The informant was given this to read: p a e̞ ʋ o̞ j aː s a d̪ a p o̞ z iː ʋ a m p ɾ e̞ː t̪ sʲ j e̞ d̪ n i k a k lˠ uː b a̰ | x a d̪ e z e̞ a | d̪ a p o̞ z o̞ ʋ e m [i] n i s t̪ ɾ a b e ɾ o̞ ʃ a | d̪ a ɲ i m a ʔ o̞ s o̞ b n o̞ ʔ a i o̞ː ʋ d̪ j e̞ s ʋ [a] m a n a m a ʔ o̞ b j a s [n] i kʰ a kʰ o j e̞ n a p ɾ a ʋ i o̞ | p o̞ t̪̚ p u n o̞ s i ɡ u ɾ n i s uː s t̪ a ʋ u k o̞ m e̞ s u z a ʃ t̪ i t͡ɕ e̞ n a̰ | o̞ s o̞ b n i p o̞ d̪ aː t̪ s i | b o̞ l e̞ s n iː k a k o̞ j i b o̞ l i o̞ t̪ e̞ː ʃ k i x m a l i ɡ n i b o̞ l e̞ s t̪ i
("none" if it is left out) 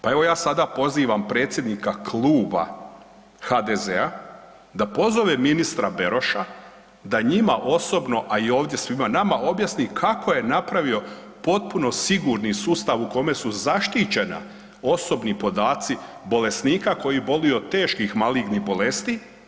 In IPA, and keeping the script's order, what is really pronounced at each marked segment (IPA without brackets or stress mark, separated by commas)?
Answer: i, i, n